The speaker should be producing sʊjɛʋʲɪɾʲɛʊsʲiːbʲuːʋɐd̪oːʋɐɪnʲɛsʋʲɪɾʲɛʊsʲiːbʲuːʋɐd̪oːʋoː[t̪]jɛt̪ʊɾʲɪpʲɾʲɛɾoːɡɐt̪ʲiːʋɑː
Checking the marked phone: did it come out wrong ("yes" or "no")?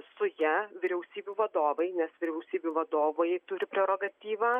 yes